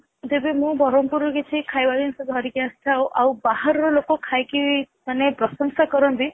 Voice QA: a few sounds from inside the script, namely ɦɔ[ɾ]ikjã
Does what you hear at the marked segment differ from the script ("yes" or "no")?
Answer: no